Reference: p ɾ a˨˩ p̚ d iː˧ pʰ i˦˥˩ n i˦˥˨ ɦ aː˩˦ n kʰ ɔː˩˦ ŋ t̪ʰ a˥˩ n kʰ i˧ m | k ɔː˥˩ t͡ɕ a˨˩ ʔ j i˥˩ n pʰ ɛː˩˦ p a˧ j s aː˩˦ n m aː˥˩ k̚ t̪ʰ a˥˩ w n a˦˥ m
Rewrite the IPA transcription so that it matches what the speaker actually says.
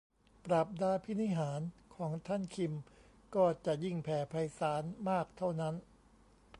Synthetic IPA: p ɾ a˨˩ p̚ d aː˧ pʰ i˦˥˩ n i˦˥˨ ɦ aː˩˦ n kʰ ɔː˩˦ ŋ t̪ʰ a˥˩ n kʰ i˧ m | k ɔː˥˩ t͡ɕ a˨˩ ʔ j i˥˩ ŋ pʰ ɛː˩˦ pʰ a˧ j s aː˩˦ n m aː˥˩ k̚ t̪ʰ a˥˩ w n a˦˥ n